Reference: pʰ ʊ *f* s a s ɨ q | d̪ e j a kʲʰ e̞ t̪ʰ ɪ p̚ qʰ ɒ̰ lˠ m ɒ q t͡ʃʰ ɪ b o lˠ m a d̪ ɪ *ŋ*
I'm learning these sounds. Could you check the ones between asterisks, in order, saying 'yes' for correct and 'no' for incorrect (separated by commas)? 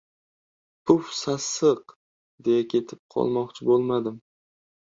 yes, no